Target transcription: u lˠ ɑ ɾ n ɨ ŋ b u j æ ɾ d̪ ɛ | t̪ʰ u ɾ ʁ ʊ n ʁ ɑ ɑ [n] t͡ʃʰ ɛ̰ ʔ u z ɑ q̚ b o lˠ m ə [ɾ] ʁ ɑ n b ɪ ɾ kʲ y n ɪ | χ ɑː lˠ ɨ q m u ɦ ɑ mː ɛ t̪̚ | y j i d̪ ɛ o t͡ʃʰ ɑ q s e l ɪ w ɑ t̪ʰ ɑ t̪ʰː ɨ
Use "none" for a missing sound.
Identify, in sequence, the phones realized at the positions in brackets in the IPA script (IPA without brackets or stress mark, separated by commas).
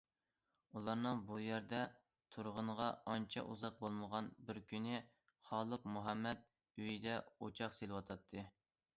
n, none